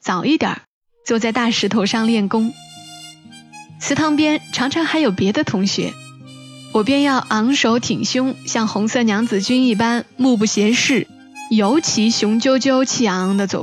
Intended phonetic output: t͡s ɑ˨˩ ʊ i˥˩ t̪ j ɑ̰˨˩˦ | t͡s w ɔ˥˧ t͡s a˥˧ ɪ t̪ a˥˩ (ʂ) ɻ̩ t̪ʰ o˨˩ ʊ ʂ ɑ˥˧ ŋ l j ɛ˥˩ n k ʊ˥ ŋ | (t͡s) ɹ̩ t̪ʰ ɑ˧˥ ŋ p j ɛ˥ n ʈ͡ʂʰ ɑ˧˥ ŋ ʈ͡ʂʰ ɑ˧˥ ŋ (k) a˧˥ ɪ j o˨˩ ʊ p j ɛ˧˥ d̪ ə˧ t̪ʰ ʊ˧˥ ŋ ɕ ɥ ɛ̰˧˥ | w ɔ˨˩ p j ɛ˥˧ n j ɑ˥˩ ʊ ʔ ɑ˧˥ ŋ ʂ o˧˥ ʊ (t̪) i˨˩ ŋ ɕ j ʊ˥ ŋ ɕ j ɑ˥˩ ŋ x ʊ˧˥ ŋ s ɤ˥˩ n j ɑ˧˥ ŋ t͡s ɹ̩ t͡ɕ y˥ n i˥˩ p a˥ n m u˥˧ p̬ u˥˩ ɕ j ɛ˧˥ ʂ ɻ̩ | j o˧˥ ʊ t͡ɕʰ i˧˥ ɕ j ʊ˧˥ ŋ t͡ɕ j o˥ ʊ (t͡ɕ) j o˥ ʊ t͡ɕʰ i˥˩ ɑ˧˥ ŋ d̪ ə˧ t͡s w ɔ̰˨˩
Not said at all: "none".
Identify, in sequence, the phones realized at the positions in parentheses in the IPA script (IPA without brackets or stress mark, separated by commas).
ʂ, t͡sʰ, x, t̪ʰ, t͡ɕ